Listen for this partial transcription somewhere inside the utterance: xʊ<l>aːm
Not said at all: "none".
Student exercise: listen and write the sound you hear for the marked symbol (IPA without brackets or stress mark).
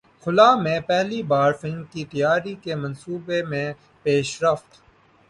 l